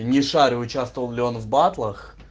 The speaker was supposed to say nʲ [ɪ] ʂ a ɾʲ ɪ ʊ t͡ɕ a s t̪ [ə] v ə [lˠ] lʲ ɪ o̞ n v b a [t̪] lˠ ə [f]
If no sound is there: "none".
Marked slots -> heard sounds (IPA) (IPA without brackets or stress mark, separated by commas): ɪ, ə, lˠ, t̪, x